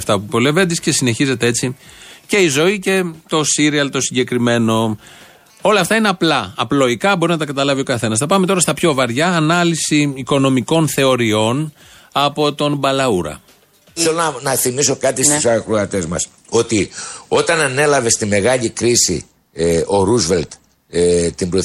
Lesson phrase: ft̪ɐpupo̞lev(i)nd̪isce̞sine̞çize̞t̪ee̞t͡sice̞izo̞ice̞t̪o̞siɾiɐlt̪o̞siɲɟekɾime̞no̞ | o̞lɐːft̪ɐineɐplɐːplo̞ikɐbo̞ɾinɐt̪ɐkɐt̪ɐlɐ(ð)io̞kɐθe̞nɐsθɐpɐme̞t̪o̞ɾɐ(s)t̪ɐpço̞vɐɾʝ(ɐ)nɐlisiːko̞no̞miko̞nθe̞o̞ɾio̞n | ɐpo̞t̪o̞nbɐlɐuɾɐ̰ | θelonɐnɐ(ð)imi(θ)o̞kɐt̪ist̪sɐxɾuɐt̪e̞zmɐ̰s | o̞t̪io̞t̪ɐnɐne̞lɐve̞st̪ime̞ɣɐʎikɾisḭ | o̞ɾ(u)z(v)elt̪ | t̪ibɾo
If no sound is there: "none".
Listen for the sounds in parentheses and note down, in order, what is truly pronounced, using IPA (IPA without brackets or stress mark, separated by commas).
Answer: e, v, s, ɐː, θ, s, u, v